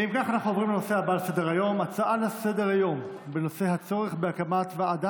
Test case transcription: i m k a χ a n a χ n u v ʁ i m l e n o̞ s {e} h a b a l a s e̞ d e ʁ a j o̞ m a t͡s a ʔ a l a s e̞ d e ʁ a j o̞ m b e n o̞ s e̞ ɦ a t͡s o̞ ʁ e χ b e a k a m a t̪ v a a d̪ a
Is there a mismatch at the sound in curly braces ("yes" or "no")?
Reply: no